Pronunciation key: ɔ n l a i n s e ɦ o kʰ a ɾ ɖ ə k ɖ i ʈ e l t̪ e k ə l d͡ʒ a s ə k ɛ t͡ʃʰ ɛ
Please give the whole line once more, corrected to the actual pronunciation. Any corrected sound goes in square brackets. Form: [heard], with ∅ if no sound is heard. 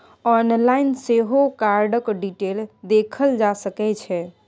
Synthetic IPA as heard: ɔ n l a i n s e ɦ o [k] a ɾ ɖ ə k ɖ i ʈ e l [d̪] e [kʰ] ə l d͡ʒ a s ə k ɛ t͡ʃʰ ɛ